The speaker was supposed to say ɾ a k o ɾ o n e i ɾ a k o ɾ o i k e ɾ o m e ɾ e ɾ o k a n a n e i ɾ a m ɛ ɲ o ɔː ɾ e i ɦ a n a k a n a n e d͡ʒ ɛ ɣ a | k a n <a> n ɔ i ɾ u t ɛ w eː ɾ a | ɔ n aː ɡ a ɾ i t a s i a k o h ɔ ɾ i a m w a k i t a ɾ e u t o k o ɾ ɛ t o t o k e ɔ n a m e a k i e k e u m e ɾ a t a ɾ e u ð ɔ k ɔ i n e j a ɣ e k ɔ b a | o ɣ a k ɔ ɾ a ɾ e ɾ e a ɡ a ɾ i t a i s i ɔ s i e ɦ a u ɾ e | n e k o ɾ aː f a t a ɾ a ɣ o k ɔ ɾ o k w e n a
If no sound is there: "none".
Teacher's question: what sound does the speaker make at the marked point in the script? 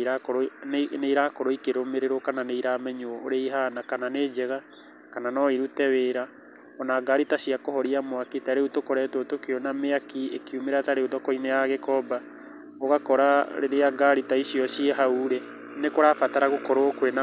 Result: a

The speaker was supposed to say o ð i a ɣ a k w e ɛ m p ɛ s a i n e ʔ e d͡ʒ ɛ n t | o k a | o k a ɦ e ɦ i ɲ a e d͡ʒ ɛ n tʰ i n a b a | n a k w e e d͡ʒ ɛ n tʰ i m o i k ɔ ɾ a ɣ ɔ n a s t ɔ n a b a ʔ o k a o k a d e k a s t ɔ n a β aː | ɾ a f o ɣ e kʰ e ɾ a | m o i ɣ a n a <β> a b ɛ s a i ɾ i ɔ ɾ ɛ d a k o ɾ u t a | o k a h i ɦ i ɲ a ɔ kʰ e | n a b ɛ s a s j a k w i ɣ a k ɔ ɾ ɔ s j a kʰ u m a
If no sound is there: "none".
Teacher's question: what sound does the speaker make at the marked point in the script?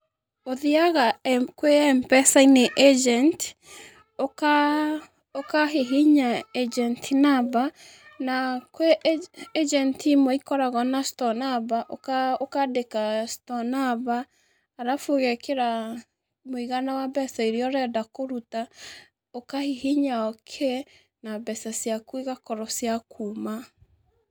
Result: w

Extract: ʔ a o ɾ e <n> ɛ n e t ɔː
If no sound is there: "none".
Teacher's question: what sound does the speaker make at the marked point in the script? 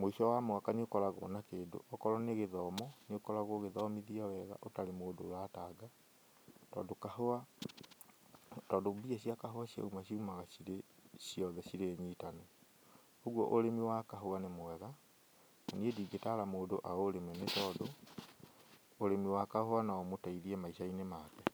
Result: m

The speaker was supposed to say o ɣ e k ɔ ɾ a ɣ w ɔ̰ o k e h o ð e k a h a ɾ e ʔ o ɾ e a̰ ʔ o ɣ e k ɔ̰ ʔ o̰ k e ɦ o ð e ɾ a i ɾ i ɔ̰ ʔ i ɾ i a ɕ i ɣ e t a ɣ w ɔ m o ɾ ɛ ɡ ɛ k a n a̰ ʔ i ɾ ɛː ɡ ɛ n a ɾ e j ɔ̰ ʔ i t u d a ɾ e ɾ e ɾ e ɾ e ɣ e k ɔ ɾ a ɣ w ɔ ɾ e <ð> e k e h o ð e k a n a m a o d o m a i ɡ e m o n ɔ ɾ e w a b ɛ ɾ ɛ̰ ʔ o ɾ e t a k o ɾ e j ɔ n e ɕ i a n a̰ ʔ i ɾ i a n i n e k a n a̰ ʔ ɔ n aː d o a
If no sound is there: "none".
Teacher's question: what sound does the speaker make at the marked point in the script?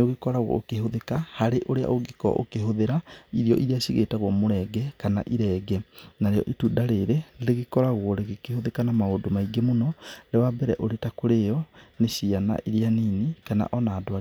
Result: ɣ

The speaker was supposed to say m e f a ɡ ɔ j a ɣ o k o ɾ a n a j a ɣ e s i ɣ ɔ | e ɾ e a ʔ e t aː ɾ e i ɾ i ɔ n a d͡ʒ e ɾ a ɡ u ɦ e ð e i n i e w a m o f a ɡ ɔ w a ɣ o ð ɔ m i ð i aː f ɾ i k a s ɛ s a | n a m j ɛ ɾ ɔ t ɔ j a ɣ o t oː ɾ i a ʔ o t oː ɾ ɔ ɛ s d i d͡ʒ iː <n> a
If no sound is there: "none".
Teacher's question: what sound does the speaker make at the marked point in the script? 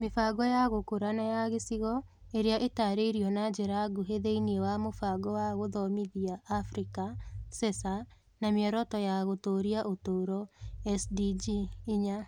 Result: ɲ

